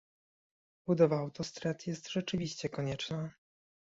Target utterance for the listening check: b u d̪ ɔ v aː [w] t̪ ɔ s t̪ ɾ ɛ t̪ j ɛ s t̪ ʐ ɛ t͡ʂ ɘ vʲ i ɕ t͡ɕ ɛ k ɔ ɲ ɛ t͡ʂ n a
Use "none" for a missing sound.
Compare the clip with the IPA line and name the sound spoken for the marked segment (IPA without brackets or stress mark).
w